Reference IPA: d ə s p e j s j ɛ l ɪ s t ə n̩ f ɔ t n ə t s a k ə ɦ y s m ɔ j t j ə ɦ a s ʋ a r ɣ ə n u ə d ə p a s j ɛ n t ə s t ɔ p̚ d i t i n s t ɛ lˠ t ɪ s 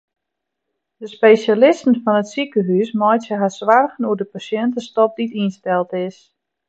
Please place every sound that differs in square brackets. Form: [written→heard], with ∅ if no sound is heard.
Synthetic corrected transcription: d ə s p e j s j [ɛ→a] l ɪ s t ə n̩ f ɔ [t→∅] n ə t s [a→i] k ə ɦ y s m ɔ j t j ə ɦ a s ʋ a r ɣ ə n u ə d ə p a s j ɛ n t ə s t ɔ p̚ d i t i n s t ɛ lˠ t ɪ s